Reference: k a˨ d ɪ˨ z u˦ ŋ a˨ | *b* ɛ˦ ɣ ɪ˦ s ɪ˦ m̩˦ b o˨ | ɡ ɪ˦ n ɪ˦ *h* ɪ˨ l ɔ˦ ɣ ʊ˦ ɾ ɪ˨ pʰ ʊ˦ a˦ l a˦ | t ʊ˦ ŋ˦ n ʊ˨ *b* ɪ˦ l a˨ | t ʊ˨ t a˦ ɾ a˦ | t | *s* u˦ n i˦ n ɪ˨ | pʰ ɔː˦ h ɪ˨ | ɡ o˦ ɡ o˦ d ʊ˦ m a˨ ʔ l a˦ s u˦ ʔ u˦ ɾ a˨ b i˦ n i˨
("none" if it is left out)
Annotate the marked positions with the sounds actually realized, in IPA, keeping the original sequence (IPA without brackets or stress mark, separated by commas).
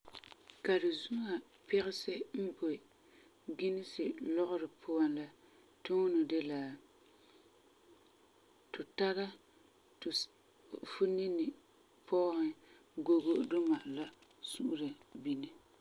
p, s, d, f